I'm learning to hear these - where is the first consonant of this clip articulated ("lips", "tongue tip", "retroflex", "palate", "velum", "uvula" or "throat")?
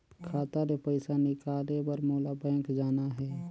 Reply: velum